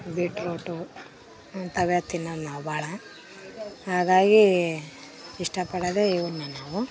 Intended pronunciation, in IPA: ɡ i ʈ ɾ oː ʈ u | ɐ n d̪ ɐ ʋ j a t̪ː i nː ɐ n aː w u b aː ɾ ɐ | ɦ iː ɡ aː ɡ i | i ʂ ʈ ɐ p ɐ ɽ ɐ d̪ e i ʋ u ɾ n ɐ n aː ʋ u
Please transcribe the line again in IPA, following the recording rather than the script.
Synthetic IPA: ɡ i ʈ ɾ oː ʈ u | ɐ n t̪ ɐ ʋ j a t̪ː i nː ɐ n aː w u b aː ɭ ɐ | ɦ aː ɡ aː ɡ i | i ʂ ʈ ɐ p ɐ ɽ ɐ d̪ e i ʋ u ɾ n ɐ n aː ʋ u

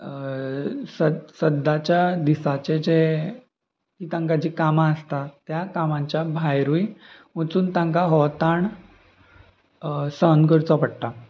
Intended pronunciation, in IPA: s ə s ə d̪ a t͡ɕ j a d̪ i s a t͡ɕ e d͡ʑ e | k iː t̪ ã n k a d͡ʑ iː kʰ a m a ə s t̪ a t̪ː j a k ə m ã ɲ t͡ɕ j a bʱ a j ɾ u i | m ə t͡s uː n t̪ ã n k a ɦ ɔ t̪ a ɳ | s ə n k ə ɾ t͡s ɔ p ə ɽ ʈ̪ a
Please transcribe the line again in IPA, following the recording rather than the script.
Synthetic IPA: s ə s ə d̪ a t͡ɕ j a d̪ i s a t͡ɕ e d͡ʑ e | k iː t̪ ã ŋ k a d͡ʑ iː k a m a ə s t̪ a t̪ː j a k a m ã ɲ t͡ɕ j a bʱ a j ɾ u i | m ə t͡s uː n t̪ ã ŋ k a ɦ ɔ t̪ a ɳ | s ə n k ə ɾ t͡s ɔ p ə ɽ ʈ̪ a

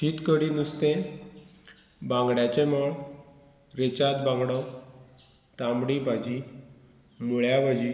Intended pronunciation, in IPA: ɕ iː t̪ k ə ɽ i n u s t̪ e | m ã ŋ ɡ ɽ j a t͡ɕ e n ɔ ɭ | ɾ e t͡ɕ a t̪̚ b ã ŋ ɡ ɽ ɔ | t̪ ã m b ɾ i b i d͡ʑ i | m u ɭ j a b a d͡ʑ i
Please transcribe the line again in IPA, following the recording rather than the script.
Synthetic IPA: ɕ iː t̪ k ə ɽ i n u s t̪ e | b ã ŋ ɡ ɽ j a t͡ɕ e m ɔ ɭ | ɾ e t͡ɕ a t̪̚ b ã ŋ ɡ ɽ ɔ | t̪ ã m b ɽ i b a d͡ʑ i | m u ɭ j a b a d͡ʑ i

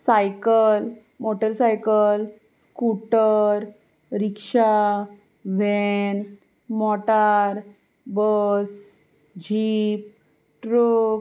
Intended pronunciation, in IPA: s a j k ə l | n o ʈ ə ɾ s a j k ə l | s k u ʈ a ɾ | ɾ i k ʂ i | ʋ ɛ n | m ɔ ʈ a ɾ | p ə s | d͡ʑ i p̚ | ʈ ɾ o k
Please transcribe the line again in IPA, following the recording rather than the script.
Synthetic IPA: s a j k ə l | m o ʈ ə ɾ s a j k ə l | s k u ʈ ə ɾ | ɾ i k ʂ a | ʋ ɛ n | m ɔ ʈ a ɾ | b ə s | d͡ʑ i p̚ | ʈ ɾ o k

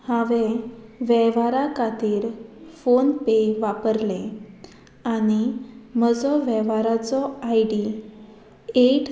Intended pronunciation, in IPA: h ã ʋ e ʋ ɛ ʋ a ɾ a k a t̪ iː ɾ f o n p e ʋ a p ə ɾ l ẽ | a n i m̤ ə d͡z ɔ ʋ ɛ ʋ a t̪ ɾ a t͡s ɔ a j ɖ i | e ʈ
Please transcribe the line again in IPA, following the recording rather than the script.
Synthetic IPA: h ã ʋ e ʋ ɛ ʋ a ɾ a k a t̪ iː ɾ f o n p e ʋ a p ə ɾ l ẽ | a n i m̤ ə d͡z ɔ ʋ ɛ ʋ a ɾ a t͡s ɔ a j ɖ i | e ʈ

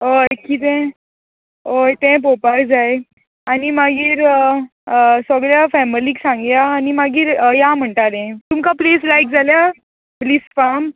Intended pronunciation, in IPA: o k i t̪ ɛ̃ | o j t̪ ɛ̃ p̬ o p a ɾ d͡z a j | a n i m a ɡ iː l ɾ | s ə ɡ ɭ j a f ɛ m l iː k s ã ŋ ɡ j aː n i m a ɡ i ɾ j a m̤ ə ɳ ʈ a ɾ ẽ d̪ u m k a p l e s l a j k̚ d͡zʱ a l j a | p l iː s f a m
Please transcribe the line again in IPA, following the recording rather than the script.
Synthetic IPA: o k i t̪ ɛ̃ | o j t̪ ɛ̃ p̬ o p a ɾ d͡z a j | a n i m a ɡ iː ɾ | s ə ɡ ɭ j a f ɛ m l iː k s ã ŋ ɡ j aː n i m a ɡ iː ɾ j a m̤ ə ɳ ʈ a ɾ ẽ t̪ u m k a p l e s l a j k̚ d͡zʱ a l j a | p l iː s f a m

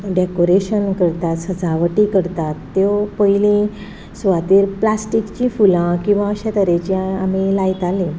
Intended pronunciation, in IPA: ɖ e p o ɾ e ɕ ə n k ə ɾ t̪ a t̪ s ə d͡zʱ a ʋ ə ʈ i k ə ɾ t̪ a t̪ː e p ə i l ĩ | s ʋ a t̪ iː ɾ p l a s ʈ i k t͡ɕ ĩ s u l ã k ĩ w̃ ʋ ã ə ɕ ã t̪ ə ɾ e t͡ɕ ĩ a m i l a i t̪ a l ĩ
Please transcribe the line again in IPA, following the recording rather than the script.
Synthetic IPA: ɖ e k o ɾ e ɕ ə n k ə ɾ t̪ a t̪ s ə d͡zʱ a ʋ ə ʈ i k ə ɾ t̪ a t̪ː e p ə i l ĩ | s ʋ a t̪ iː ɾ p l a s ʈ i k t͡ɕ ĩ f u l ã k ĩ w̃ ʋ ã ə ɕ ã t̪ ə ɾ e t͡ɕ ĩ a m i l a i t̪ a l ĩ

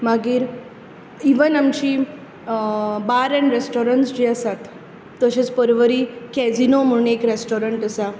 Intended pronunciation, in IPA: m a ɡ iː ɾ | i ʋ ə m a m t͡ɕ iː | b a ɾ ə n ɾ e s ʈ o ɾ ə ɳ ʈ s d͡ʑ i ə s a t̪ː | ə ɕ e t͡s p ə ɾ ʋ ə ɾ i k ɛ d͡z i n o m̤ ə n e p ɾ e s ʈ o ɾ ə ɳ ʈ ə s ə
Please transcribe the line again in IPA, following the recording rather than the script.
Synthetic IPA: m a ɡ iː ɾ | i ʋ ə n a m t͡ɕ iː | b a ɾ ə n ɾ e s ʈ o ɾ ə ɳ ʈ s d͡ʑ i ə s a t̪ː | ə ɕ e t͡s p ə ɾ ʋ ə ɾ i k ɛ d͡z i n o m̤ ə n e k ɾ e s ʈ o ɾ ə ɳ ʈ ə s a

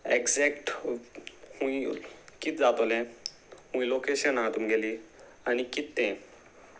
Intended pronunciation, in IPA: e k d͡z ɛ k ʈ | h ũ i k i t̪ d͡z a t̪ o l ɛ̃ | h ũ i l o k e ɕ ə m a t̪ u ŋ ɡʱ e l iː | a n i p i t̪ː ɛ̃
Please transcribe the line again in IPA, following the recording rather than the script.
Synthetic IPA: e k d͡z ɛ k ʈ | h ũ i k i t̪ d͡z a t̪ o l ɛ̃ | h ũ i l o k e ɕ ə n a t̪ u m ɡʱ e l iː | a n i k i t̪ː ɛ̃

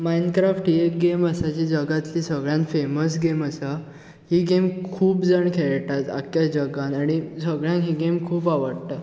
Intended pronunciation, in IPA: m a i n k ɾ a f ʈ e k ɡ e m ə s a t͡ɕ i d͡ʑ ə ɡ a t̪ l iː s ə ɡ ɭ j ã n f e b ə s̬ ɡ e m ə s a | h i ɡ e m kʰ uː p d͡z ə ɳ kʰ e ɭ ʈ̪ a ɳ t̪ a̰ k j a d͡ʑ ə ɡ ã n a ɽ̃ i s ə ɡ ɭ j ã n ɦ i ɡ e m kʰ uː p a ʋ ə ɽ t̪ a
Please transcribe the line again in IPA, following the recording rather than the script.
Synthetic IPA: m a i n k ɾ a f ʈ e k ɡ e m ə s a t͡ɕ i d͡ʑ ə ɡ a t̪ l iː s ə ɡ ɭ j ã n f e m ə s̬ ɡ e m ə s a | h i ɡ e m kʰ uː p d͡z ə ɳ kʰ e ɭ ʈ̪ a t̪ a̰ k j a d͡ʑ ə ɡ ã n a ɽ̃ i s ə ɡ ɭ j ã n ɦ i ɡ e m kʰ uː p a ʋ ə ɽ t̪ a

